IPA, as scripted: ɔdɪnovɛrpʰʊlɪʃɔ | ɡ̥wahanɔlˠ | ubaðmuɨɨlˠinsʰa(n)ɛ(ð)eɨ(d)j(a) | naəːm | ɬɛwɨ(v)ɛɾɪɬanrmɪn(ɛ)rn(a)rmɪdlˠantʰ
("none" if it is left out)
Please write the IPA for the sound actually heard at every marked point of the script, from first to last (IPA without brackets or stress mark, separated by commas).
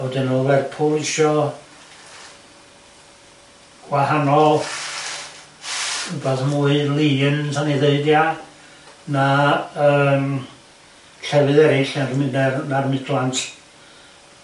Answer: n, ð, d, a, ð, ɛ, a